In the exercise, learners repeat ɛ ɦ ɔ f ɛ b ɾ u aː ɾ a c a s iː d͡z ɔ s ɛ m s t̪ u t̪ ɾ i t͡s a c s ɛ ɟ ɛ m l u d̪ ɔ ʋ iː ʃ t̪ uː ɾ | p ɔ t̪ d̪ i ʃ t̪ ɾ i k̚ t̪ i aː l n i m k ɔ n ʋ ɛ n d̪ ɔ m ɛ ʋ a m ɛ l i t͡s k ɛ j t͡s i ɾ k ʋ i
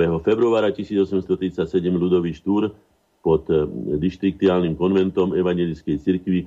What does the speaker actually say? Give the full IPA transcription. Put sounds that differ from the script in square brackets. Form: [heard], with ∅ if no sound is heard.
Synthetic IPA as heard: ɛ ɦ ɔ f ɛ b ɾ u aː ɾ a c [i] s iː d͡z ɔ s ɛ m s t̪ [ɔ] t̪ ɾ i t͡s a c s ɛ ɟ ɛ m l u d̪ ɔ ʋ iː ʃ t̪ uː ɾ | p ɔ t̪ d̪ i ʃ t̪ ɾ i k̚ t̪ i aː l n i m k ɔ n ʋ ɛ n [t̪] ɔ m ɛ ʋ a [ɲ] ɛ l i t͡s k ɛ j t͡s i ɾ k ʋ i